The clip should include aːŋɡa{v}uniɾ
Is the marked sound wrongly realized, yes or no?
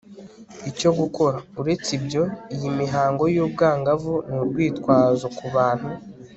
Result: no